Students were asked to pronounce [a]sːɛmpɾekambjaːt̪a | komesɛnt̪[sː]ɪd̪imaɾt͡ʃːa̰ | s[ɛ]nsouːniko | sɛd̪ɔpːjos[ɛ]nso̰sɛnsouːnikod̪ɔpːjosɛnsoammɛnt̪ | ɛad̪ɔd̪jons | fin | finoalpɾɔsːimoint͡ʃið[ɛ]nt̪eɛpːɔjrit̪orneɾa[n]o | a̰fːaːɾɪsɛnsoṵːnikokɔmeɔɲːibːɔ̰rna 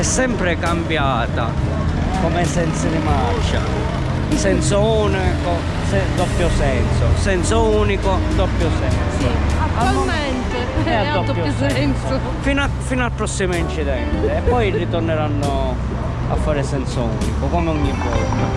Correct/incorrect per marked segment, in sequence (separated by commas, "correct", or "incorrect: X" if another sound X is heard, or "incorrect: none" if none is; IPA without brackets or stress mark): incorrect: ɛ, incorrect: s, correct, correct, correct, incorrect: nː